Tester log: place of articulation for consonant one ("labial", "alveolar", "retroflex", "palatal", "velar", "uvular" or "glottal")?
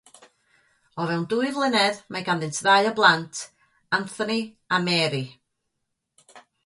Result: labial